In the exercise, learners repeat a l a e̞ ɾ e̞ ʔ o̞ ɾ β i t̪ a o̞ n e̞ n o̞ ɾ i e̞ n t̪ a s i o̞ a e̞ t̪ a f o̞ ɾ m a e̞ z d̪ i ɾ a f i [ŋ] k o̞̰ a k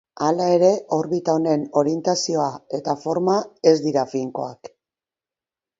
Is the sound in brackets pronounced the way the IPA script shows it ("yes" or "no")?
yes